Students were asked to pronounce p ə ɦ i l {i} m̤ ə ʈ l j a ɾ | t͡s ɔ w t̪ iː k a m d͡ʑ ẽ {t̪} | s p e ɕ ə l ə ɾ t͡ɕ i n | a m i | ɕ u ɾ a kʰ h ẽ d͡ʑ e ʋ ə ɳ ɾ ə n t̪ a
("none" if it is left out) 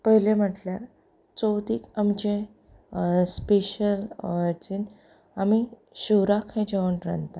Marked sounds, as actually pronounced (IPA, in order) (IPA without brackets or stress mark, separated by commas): e, none